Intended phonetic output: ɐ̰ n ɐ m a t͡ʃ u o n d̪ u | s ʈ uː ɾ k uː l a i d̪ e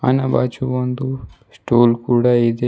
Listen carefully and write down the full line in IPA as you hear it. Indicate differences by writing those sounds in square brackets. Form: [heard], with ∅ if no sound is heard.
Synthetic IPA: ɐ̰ n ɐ [b] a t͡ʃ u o n d̪ u | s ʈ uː [l] k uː [ɽ] a i d̪ e